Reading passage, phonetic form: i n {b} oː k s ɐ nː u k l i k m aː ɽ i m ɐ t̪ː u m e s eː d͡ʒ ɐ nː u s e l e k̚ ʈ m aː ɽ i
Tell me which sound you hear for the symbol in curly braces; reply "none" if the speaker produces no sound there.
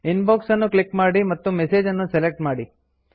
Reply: b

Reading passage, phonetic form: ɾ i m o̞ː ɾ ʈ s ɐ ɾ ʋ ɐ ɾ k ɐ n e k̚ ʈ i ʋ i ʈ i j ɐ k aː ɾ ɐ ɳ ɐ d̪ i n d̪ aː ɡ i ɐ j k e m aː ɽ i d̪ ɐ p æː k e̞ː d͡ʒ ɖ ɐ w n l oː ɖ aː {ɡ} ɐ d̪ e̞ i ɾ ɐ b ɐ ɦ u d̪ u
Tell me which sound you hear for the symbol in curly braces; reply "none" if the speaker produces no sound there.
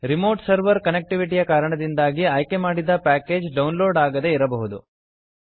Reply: ɡ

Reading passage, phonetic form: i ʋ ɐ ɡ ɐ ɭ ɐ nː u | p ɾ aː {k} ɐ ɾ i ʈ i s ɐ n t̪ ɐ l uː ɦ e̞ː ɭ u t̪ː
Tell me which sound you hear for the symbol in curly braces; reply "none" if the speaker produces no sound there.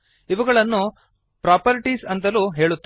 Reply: p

